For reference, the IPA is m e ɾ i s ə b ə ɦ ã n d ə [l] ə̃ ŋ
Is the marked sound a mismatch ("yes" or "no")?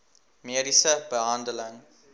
no